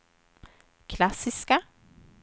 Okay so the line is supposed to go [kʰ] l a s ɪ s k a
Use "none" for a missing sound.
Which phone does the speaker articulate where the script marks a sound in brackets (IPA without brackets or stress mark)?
kʰ